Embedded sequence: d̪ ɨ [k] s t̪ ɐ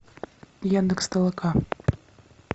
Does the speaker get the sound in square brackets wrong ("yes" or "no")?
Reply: no